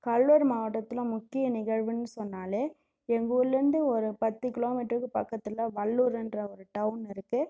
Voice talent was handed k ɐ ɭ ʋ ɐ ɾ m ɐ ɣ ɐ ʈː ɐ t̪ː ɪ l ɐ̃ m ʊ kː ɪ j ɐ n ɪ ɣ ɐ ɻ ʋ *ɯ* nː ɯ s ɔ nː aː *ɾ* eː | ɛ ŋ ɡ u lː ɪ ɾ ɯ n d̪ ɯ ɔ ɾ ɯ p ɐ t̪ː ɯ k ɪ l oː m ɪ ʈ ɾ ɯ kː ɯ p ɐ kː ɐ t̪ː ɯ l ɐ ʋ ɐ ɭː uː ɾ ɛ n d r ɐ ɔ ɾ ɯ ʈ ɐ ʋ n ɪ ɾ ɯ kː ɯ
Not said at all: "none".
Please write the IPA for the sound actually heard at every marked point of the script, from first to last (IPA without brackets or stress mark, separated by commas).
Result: ɯ, l